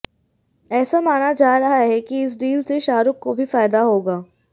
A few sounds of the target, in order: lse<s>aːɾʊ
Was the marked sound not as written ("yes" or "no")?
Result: yes